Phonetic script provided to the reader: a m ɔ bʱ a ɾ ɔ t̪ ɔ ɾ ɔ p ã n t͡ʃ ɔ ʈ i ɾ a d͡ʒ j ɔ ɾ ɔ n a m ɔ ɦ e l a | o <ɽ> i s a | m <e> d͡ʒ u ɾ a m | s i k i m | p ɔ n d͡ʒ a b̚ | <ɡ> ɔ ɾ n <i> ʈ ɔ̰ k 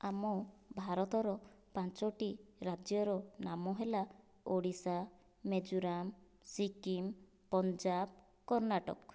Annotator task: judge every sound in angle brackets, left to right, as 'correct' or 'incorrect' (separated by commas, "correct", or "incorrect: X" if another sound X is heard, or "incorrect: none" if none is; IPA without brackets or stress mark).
correct, correct, incorrect: k, incorrect: a